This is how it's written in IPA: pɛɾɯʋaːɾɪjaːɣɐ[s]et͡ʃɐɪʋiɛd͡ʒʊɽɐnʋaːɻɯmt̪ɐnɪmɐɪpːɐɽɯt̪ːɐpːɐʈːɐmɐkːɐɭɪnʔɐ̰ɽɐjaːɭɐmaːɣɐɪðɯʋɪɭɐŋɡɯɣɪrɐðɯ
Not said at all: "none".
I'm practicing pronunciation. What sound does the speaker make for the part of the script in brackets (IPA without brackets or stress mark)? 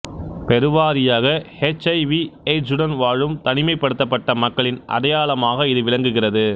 h